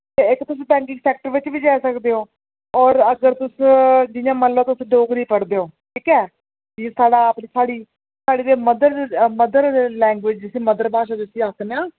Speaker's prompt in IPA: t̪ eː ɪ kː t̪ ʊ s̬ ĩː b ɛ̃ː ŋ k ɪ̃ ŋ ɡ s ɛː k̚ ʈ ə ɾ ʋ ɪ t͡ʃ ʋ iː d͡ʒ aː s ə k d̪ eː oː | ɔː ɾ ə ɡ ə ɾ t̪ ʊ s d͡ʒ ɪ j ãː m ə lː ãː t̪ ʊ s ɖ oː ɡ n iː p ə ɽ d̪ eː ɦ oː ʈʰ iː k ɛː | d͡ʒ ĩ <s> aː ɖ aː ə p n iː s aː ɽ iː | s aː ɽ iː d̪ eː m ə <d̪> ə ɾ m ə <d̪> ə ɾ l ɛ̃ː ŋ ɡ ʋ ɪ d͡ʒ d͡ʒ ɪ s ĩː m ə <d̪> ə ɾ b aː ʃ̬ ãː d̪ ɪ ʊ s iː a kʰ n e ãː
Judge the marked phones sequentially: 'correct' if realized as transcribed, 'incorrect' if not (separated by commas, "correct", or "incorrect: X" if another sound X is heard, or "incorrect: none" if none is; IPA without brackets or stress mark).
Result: correct, correct, correct, correct